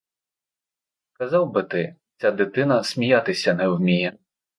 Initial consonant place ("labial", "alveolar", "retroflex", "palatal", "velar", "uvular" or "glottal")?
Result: velar